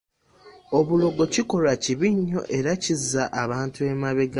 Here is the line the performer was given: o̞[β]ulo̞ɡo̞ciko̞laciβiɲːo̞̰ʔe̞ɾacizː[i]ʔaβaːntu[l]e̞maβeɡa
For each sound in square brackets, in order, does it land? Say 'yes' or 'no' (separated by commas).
yes, no, no